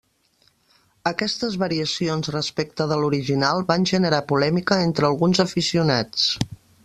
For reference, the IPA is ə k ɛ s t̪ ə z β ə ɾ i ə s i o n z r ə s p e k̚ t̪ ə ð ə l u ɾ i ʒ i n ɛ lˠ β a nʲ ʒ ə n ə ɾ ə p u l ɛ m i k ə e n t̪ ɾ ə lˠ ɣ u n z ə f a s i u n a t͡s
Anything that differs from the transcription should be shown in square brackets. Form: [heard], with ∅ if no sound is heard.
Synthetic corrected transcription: ə k ɛ s t̪ ə z β ə ɾ i ə s i o n z r ə s p e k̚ t̪ ə ð ə l u ɾ i ʒ i n [a] lˠ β a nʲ ʒ ə n ə ɾ [a] p u l ɛ m i k ə e n t̪ ɾ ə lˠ ɣ u n z ə f [i] s i u n a t͡s